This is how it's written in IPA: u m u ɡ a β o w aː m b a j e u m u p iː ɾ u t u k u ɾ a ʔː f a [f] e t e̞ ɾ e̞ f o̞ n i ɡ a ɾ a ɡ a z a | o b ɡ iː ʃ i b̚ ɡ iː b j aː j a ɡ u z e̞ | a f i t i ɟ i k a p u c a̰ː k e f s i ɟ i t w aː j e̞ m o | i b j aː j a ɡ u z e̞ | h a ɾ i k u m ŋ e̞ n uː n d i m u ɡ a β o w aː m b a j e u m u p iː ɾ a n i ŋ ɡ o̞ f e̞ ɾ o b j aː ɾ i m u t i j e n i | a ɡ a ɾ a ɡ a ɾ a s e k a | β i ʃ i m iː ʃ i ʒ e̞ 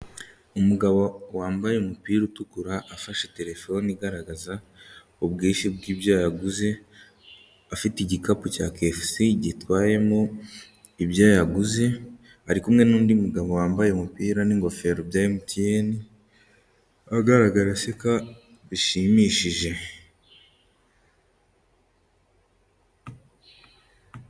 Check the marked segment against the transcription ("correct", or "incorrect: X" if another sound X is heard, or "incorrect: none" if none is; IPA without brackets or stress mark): incorrect: ʃ